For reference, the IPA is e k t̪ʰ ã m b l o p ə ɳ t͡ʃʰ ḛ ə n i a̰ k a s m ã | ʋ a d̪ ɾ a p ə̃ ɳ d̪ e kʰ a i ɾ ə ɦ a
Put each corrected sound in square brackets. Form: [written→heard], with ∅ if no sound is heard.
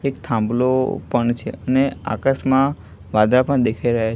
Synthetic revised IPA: e k t̪ʰ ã m b l o p ə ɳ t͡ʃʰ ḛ ə n [i→e] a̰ k a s m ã | ʋ a d̪ ɾ a p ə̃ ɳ d̪ e kʰ a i ɾ ə ɦ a